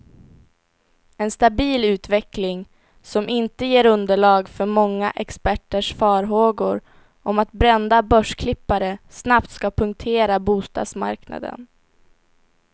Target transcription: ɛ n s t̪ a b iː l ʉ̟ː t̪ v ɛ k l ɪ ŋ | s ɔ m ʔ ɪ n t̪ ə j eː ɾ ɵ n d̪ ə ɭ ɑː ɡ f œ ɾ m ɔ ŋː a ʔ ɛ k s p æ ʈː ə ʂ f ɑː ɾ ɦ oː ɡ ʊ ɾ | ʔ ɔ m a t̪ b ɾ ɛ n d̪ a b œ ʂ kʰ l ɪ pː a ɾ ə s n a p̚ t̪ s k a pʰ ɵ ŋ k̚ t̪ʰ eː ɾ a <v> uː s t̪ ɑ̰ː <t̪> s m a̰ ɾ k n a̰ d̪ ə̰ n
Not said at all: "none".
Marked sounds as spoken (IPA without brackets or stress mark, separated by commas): b, d̪